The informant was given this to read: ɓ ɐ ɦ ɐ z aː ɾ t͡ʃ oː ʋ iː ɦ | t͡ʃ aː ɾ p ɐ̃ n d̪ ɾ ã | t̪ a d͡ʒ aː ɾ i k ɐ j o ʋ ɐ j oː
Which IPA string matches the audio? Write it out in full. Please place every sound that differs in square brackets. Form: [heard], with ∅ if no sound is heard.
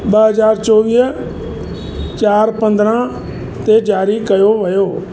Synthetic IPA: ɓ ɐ ɦ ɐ z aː ɾ t͡ʃ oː ʋ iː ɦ | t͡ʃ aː ɾ p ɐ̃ n d̪ ɾ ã | t̪ [e] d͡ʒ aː ɾ i k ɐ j o ʋ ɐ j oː